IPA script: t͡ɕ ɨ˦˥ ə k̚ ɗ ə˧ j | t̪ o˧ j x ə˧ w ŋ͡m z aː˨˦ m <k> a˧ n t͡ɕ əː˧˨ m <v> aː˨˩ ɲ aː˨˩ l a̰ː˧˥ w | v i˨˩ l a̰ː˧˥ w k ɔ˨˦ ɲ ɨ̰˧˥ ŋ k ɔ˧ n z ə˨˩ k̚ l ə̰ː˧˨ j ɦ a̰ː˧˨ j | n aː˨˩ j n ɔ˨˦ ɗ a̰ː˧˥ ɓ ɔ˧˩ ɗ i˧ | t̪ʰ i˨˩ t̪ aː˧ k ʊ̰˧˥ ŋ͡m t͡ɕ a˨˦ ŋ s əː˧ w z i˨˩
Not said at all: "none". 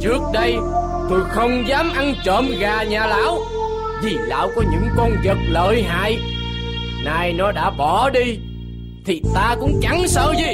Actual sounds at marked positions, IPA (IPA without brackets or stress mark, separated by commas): ʔ, ɣ